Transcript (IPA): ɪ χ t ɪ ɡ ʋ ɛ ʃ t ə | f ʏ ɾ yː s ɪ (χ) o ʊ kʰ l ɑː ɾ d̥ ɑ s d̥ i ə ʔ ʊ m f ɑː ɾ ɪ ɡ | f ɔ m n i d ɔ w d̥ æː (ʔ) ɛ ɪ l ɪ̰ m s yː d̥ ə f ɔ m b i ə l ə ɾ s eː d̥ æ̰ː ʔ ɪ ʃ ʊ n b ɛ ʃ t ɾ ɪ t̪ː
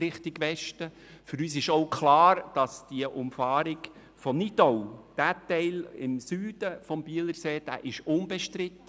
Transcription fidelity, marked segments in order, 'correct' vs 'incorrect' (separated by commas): incorrect, incorrect